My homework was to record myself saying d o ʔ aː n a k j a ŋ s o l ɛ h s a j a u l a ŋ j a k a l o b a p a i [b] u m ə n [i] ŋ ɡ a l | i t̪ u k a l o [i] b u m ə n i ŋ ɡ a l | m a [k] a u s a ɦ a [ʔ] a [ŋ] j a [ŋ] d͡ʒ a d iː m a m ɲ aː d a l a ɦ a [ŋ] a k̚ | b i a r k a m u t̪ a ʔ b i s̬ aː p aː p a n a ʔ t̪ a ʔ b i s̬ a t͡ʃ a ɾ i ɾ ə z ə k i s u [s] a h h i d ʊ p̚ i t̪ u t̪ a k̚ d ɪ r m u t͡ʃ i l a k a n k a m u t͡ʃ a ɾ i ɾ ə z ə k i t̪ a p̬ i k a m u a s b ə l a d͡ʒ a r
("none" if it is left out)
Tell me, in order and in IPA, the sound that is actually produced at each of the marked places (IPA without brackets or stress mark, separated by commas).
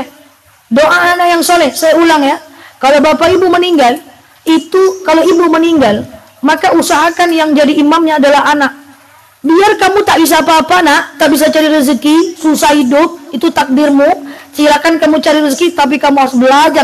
b, i, i, k, k, n, ŋ, n, s